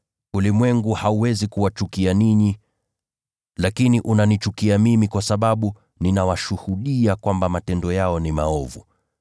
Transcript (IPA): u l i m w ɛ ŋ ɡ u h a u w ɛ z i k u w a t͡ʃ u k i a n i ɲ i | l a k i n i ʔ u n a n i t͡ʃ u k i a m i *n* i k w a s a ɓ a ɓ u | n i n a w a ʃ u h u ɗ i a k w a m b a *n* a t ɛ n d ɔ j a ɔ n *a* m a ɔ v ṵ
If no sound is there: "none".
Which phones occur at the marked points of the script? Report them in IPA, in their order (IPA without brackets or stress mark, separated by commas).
m, m, i